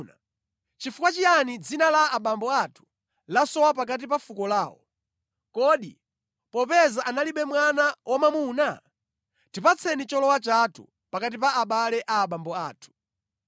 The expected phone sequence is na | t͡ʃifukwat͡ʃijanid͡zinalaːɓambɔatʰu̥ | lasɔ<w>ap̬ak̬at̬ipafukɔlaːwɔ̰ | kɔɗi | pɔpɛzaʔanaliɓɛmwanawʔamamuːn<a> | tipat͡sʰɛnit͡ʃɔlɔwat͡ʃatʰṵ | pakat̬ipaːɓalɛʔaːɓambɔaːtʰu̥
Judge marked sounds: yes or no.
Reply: yes, yes

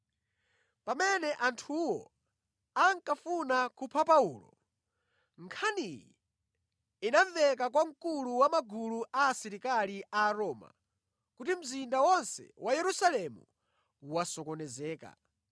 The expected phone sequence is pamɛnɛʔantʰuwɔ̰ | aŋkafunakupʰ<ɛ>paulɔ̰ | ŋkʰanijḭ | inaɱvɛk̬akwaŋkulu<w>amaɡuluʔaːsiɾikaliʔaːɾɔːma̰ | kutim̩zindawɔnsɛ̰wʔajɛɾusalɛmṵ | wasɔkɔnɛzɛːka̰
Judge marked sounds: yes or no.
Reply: no, yes

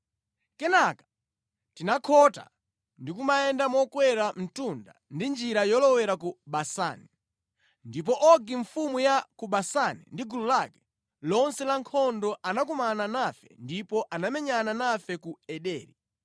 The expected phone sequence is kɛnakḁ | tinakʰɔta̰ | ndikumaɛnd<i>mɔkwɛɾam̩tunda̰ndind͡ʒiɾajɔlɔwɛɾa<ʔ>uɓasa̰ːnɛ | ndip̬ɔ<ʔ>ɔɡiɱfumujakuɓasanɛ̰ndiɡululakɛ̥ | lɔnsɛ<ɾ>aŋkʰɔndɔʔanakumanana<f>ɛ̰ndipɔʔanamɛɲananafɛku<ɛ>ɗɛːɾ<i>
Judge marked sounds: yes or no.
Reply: no, no, yes, no, yes, yes, yes

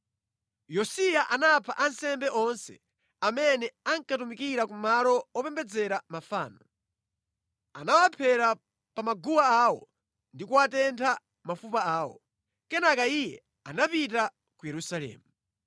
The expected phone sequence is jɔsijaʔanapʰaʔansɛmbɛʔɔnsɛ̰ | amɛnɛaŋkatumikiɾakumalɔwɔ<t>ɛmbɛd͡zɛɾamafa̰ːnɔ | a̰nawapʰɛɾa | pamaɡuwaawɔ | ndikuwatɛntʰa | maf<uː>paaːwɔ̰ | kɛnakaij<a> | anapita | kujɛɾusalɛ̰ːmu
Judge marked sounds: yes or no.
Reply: no, no, no

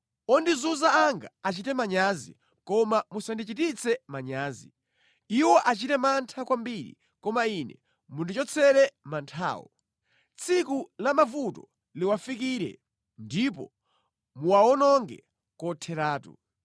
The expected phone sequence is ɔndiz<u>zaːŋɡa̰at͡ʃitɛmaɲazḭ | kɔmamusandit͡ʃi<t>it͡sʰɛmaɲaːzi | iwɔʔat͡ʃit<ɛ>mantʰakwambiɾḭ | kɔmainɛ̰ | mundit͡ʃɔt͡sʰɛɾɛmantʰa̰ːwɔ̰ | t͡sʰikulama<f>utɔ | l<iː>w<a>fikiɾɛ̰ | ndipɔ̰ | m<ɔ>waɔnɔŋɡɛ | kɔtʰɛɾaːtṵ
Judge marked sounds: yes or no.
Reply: yes, yes, yes, no, no, yes, no

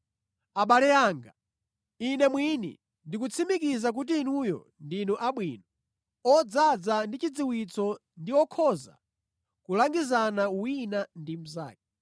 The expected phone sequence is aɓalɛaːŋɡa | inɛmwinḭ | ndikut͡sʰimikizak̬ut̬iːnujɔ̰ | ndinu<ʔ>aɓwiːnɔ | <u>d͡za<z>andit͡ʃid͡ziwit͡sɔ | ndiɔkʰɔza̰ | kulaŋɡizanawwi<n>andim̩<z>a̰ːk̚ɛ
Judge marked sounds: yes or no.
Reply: yes, no, no, yes, yes

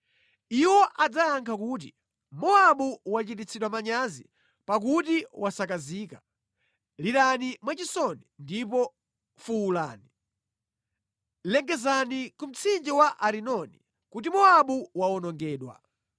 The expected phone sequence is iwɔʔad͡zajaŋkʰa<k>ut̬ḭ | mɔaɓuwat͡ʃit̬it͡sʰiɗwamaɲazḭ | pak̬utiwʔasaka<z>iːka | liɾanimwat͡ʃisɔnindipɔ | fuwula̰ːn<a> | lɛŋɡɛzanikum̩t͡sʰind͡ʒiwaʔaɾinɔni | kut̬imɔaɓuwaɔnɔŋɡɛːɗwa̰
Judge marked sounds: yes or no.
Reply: yes, yes, no

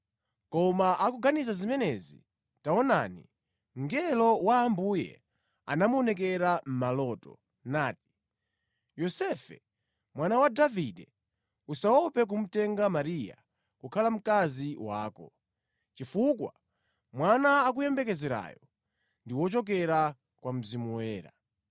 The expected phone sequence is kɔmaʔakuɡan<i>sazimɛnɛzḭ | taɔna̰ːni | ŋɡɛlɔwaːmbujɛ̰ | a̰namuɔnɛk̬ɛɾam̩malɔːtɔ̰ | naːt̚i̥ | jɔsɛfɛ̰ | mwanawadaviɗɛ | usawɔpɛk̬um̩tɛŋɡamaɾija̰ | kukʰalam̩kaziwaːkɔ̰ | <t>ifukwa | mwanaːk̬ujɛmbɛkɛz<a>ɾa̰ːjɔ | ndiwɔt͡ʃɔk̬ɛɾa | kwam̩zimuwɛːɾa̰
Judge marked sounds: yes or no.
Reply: yes, no, no

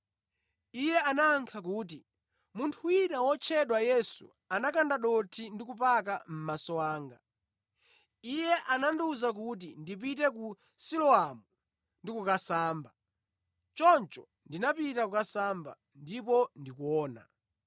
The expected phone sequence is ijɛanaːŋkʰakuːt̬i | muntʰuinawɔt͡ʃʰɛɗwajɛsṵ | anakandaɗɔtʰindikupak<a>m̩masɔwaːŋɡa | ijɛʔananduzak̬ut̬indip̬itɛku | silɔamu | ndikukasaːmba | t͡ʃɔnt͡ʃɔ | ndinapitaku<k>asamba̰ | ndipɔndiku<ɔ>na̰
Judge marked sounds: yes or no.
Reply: yes, yes, no

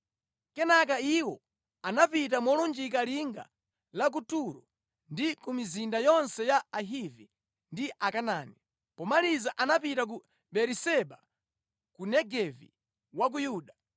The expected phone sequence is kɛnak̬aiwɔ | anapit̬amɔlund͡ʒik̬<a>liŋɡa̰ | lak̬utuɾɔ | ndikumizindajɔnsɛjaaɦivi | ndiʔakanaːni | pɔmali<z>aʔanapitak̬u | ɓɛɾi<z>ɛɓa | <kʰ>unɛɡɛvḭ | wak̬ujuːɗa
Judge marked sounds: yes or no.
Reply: yes, yes, no, no

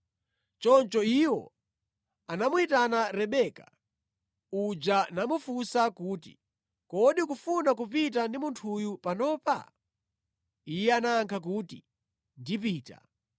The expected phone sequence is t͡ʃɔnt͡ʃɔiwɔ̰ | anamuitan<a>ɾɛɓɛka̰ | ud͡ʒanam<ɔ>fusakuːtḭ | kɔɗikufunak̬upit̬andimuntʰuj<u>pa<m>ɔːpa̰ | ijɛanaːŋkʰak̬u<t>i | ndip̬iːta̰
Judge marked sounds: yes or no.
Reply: yes, no, yes, no, yes

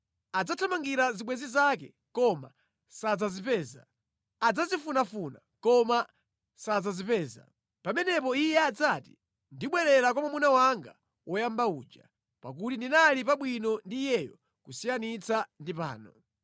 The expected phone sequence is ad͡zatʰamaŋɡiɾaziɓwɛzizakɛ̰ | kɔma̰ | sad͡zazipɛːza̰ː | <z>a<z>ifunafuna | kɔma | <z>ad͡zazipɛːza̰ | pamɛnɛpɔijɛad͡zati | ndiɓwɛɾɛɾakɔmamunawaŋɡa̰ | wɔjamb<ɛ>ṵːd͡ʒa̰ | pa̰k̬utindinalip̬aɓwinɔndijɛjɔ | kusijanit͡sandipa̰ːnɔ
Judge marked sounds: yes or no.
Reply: no, yes, no, no

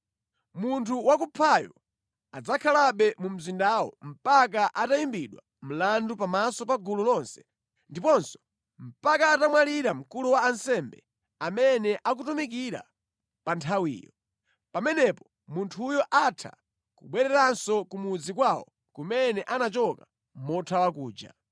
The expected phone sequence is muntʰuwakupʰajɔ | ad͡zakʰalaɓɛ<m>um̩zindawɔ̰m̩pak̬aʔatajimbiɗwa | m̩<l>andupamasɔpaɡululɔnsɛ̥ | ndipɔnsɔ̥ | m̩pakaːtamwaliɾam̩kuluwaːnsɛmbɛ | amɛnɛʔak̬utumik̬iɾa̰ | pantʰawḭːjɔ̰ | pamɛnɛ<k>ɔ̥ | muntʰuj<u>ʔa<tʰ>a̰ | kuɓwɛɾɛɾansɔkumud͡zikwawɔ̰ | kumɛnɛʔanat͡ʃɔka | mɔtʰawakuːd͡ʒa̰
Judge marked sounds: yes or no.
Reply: yes, yes, no, no, yes

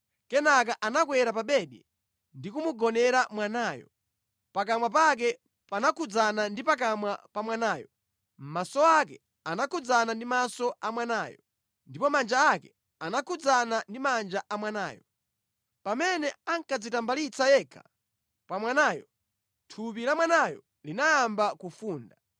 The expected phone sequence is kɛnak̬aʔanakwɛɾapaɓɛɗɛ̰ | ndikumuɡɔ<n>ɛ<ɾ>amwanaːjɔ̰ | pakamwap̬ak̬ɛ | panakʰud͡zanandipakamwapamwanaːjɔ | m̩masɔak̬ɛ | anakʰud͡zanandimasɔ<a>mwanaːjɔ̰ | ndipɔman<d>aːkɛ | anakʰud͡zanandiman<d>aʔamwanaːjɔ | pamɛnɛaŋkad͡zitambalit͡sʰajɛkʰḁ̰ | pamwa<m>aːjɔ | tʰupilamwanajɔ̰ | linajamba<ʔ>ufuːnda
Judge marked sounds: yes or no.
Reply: yes, yes, yes, no, no, no, no

